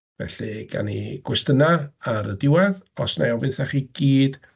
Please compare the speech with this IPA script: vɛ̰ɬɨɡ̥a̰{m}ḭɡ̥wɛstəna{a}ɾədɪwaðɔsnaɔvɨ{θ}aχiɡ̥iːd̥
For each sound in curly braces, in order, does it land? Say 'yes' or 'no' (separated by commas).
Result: no, yes, yes